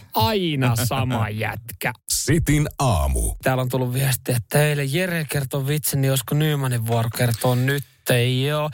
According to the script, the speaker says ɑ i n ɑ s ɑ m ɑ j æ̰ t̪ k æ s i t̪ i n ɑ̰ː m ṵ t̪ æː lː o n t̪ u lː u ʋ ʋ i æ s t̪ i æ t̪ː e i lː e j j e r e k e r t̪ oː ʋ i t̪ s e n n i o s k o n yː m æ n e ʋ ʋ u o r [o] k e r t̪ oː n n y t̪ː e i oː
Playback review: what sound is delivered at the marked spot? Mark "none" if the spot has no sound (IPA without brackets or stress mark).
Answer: o